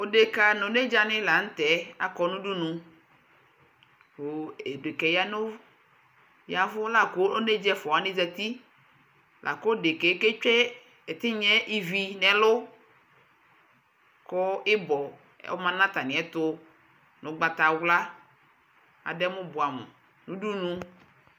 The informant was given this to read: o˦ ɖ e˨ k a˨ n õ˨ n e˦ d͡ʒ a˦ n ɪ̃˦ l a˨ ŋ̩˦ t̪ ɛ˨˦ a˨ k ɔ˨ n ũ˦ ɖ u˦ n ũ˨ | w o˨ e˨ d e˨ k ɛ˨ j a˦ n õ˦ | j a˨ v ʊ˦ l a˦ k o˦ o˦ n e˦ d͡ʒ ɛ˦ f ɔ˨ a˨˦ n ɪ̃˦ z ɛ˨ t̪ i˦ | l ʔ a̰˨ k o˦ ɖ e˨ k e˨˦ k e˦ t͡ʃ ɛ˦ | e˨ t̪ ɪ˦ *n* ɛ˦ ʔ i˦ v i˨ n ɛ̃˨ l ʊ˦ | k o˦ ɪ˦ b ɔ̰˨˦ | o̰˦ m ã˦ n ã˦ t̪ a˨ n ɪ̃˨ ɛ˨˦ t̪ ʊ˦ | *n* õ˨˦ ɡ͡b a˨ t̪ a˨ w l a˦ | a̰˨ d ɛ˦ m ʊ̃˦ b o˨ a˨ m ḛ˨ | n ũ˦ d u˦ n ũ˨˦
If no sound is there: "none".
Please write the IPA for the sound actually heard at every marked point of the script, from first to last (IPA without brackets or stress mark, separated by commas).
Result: ɲ, n